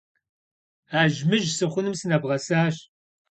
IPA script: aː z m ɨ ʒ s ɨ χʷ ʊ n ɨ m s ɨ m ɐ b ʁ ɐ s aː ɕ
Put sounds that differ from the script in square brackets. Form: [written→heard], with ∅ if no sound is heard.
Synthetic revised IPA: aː [z→ʒ] m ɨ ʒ s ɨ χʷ ʊ n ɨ m s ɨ [m→n] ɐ b ʁ ɐ s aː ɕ

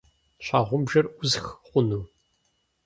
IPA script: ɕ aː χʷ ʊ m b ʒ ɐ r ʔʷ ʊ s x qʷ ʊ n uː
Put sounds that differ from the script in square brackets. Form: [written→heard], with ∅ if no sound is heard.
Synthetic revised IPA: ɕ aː [χʷ→ʁʷ] ʊ m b ʒ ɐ r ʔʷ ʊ [s→z] x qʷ ʊ n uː

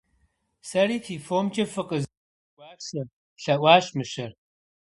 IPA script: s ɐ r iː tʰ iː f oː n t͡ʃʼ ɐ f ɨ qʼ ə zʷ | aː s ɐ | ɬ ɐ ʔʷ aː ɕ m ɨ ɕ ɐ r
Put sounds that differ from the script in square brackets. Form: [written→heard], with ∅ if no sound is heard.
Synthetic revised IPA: s ɐ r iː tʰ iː f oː [n→m] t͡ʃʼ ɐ f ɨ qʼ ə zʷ | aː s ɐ | ɬ ɐ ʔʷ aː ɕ m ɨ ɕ ɐ r

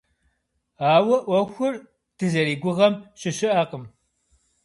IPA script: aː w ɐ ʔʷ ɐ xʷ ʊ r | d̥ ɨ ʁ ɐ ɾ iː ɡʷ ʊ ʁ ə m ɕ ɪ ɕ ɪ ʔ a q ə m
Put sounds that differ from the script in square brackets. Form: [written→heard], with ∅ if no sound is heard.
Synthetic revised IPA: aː w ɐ ʔʷ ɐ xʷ ʊ r | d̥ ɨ [ʁ→z] ɐ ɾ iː ɡʷ ʊ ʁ [ə→ɐ] m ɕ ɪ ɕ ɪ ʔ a q ə m

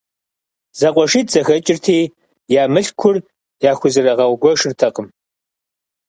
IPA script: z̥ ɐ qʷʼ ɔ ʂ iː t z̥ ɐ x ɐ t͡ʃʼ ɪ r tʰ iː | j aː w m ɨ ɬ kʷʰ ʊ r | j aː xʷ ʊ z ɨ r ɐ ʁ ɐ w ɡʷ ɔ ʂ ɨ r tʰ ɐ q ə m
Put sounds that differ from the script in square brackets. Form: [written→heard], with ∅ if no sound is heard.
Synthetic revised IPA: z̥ ɐ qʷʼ ɔ ʂ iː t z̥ ɐ x ɐ t͡ʃʼ ɪ r tʰ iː | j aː [w→∅] m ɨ ɬ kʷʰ ʊ r | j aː xʷ ʊ z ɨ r ɐ ʁ ɐ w ɡʷ ɔ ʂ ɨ r tʰ ɐ q ə m

